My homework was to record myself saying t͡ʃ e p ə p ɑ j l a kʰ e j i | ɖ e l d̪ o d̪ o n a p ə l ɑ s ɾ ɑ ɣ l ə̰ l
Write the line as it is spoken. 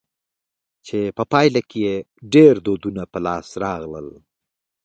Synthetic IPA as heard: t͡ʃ e p ə p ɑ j l a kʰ e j e | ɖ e ɾ d̪ o d̪ u n a p ə l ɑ s ɾ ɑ ɣ l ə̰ l